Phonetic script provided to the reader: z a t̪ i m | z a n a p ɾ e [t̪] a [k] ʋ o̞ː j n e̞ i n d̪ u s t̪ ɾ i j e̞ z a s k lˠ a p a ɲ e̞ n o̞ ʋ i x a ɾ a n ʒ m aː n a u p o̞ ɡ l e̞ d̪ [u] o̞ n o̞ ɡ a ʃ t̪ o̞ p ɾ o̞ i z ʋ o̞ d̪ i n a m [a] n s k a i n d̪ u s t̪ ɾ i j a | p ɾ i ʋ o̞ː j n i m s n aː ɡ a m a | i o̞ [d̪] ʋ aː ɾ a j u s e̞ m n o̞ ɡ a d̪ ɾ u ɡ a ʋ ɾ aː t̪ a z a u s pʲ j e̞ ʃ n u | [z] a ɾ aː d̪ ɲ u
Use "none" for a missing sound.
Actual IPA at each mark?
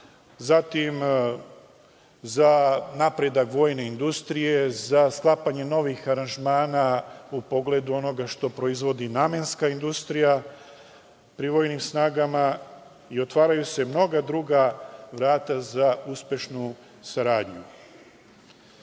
d̪, k, u, e, t̪, s

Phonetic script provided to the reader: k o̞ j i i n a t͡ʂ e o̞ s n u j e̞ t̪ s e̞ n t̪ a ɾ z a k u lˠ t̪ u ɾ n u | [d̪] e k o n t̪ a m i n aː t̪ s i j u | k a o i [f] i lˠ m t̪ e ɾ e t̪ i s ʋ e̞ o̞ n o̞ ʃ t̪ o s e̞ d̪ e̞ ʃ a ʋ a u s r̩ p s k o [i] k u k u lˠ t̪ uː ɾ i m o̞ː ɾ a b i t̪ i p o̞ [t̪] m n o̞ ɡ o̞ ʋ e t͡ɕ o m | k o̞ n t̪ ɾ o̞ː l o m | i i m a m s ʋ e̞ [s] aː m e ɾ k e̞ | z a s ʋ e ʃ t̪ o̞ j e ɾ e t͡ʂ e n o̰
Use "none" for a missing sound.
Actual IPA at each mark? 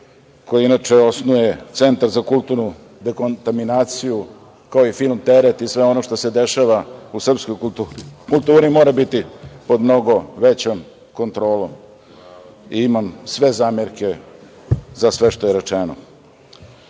d̪, f, j, d̪, z

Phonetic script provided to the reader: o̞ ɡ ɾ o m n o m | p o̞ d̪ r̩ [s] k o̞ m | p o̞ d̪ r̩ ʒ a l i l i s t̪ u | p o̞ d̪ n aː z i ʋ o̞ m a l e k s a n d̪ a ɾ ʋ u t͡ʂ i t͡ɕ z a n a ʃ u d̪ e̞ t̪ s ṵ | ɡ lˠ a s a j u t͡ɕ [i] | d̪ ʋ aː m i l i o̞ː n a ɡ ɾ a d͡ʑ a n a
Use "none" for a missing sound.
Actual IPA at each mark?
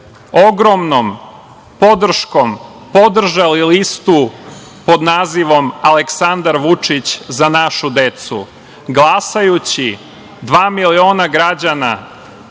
ʃ, i

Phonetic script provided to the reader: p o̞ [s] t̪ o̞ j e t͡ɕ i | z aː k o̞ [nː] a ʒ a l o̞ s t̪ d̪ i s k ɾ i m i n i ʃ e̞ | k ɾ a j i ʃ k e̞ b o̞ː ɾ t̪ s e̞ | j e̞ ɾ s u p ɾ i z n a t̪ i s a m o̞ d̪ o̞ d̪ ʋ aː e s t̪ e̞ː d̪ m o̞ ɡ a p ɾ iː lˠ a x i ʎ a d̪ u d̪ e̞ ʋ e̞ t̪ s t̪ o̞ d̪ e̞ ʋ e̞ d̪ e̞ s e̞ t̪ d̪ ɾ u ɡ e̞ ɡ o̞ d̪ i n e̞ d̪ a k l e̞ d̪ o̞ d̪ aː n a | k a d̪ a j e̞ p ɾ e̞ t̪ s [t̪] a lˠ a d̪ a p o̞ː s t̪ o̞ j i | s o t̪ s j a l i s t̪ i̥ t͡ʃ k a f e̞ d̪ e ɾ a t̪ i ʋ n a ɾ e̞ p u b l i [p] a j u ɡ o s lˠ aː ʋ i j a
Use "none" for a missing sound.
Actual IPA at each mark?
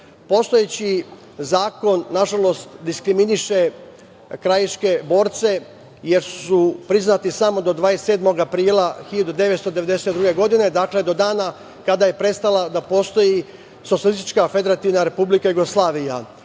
s, nː, t̪, k

